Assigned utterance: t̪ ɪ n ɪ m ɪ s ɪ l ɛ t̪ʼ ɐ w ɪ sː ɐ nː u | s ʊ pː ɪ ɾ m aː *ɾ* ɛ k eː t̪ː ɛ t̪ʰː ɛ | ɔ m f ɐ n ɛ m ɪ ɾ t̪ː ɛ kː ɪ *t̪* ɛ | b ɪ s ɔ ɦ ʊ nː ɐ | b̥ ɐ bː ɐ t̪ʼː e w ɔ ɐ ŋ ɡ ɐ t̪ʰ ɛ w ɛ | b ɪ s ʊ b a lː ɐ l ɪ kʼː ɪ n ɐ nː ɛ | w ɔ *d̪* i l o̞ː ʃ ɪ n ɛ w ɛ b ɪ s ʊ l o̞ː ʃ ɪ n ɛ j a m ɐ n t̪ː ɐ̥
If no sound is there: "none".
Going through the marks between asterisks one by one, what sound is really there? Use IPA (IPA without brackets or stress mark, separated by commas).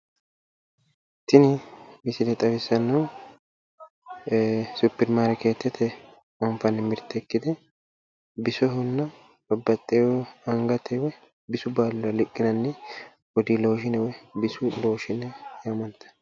ɾ, d̪, d̪